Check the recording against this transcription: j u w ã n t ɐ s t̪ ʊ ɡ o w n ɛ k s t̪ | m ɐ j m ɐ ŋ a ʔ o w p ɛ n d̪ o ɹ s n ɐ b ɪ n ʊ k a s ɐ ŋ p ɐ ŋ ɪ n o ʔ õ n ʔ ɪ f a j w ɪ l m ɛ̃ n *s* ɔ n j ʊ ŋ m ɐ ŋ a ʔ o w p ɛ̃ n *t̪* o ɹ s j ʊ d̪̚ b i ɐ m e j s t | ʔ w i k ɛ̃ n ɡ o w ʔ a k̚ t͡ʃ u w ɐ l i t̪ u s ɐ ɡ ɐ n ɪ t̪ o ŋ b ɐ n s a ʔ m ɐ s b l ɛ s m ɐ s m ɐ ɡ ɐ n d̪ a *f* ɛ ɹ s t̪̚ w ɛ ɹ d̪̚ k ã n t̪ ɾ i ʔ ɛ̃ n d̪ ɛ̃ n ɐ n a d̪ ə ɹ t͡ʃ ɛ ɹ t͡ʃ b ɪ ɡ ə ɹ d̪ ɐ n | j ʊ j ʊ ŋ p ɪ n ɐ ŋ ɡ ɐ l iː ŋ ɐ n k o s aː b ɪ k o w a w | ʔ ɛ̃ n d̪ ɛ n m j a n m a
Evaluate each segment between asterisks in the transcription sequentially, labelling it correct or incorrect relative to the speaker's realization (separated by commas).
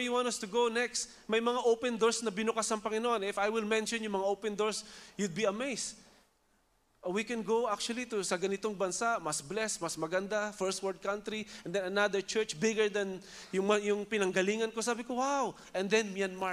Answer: incorrect, incorrect, correct